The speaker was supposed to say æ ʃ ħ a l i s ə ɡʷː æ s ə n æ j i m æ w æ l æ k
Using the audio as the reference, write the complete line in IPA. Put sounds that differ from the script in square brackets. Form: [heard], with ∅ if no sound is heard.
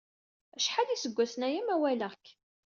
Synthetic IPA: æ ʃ ħ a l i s ə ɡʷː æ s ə n æ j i m æ w æ l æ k